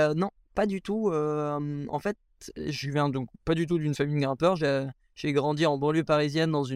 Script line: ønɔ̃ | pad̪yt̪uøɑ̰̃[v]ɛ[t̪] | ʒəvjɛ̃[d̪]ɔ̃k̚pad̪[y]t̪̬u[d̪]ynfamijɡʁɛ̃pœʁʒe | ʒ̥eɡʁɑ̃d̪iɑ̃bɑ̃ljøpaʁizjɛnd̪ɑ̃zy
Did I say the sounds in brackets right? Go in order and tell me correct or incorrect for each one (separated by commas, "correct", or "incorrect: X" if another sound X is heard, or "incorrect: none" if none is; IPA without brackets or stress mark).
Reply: incorrect: f, correct, correct, correct, correct